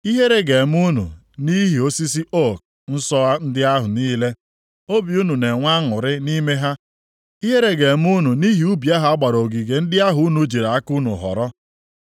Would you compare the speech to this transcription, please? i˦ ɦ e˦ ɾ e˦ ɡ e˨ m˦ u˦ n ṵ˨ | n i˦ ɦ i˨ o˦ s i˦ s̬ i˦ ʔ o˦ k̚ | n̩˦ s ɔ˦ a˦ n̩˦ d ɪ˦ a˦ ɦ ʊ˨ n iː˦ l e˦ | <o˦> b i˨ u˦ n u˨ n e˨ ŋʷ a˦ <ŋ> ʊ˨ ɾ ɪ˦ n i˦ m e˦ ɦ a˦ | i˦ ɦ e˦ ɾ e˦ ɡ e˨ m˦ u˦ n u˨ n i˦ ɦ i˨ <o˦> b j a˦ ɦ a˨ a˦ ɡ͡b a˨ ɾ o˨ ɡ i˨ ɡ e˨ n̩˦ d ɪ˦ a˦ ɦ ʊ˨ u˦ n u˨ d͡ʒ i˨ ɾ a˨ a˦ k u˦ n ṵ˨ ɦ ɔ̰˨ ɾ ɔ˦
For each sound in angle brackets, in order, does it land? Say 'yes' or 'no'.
yes, yes, no

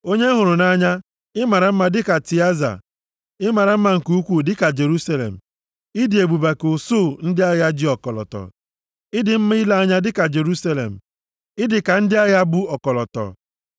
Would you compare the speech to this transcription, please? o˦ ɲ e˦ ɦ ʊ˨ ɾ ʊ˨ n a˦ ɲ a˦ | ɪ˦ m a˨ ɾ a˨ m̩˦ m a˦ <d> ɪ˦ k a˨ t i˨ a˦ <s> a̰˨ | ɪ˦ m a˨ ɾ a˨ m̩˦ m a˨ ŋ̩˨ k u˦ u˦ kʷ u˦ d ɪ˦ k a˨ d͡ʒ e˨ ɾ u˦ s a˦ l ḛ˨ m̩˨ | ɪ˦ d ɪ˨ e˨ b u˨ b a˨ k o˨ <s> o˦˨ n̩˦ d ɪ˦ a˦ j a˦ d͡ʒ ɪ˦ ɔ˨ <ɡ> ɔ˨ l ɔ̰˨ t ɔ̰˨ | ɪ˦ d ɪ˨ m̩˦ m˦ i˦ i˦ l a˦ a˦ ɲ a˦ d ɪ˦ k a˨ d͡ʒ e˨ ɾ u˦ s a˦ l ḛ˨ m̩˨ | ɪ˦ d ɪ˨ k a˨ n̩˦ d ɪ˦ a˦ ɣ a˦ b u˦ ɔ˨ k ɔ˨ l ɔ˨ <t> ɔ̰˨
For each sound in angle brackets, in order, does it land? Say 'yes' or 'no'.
yes, no, yes, no, yes

